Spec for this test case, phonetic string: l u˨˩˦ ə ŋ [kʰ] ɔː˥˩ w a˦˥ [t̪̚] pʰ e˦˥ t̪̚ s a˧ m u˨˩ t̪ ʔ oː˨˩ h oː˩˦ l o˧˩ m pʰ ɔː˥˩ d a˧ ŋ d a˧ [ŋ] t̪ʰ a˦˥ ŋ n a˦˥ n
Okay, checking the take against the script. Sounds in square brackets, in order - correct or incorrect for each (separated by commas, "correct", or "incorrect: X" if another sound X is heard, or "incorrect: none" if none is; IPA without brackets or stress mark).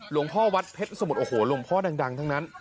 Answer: incorrect: pʰ, correct, correct